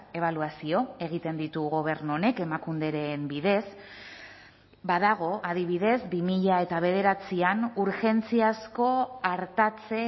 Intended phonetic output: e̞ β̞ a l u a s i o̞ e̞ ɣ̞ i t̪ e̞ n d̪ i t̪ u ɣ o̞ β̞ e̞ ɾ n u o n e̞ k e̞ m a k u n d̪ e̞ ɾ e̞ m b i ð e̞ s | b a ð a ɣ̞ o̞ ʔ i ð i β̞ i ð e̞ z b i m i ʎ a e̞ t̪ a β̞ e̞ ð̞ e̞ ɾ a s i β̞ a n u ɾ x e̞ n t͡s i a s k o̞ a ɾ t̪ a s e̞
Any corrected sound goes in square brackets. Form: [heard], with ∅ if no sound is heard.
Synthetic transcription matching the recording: e̞ β̞ a l u a s i o̞ e̞ ɣ̞ i t̪ e̞ n d̪ i t̪ u ɣ o̞ β̞ e̞ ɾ n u o n e̞ k e̞ m a k u n d̪ e̞ ɾ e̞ m b i ð e̞ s | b a ð a ɣ̞ o̞ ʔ [a] ð i β̞ i ð e̞ z b i m i ʎ a e̞ t̪ a β̞ e̞ ð̞ e̞ ɾ a [t͡s] i [∅] a n u ɾ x e̞ n t͡s i a s k o̞ a ɾ t̪ a [t͡s] e̞

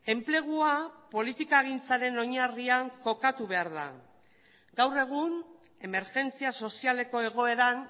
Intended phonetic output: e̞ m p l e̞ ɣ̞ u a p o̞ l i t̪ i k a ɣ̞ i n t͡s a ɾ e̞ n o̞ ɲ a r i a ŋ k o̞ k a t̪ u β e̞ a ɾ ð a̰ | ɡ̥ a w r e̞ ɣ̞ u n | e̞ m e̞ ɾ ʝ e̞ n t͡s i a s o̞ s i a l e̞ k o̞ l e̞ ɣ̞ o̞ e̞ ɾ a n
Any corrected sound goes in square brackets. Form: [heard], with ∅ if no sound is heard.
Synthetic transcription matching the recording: e̞ m p l e̞ ɣ̞ u a p o̞ l i t̪ i k a ɣ̞ i n t͡s a ɾ e̞ n o̞ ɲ a r i a ŋ k o̞ k a t̪ u β e̞ a ɾ ð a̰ | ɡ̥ a w r e̞ ɣ̞ u n | e̞ m e̞ ɾ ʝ e̞ n t͡s i a s o̞ s i a l e̞ k o̞ [∅] e̞ ɣ̞ o̞ e̞ ɾ a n

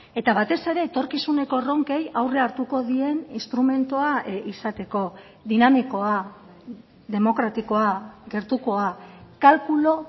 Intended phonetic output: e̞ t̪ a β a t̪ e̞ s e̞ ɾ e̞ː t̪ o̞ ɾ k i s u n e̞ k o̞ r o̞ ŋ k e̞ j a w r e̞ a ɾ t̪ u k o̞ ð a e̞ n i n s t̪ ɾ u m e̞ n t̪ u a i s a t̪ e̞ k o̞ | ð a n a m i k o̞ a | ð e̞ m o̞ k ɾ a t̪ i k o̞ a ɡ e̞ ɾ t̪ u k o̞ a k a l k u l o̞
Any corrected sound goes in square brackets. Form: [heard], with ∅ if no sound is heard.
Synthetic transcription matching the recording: e̞ t̪ a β a t̪ e̞ s e̞ ɾ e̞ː t̪ o̞ ɾ k i s u n e̞ k o̞ r o̞ ŋ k e̞ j a w r e̞ a ɾ t̪ u k o̞ ð [i] e̞ n i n s t̪ ɾ u m e̞ n t̪ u a i s a t̪ e̞ k o̞ | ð [i] n a m i k o̞ a | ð e̞ m o̞ k ɾ a t̪ i k o̞ a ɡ e̞ ɾ t̪ u k o̞ a k a l k u l o̞

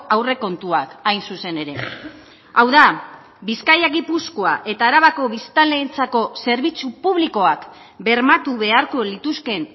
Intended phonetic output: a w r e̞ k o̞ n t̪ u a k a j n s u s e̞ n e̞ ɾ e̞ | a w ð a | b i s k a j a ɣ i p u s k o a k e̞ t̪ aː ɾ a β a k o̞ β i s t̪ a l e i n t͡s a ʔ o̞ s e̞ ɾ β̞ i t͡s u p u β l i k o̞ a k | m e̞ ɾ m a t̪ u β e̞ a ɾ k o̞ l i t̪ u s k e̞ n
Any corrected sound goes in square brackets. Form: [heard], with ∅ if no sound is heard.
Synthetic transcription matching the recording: a w r e̞ k o̞ n t̪ u a k a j n s u s e̞ n e̞ ɾ e̞ | a w ð a | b i s k a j a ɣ i p u s k o a [ʔ] e̞ t̪ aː ɾ a β a k o̞ β i s t̪ a l e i n t͡s a [k] o̞ s e̞ ɾ β̞ i t͡s u p u β l i k o̞ a k | [b] e̞ ɾ m a t̪ u β e̞ a ɾ k o̞ l i t̪ u s k e̞ n

